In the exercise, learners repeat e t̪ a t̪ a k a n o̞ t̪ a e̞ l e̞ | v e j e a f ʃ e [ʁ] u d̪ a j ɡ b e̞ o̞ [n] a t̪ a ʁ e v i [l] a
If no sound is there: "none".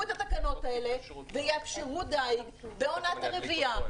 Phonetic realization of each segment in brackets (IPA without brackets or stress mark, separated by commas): ʁ, n, none